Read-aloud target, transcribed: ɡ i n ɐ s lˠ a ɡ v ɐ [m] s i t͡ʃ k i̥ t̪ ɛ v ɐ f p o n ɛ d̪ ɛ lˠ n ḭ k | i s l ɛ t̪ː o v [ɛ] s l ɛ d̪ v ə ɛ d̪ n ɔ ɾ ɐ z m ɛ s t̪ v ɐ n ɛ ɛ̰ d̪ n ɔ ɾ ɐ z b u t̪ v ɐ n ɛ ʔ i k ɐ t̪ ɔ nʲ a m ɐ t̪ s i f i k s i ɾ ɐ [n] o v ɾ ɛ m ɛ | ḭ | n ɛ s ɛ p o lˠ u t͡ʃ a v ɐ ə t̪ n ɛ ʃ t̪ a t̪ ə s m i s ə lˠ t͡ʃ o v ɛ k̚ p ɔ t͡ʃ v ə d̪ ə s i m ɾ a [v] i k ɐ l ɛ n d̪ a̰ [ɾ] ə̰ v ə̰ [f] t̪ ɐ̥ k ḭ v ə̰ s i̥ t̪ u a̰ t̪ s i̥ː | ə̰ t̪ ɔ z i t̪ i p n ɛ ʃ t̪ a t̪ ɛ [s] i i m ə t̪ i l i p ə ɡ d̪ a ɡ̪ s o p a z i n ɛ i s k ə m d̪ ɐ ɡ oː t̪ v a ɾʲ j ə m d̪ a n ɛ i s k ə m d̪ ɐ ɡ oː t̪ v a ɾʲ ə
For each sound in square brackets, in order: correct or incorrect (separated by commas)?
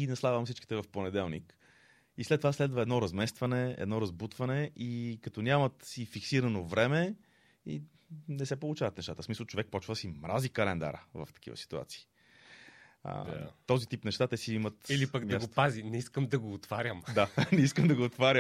correct, incorrect, correct, incorrect, correct, correct, correct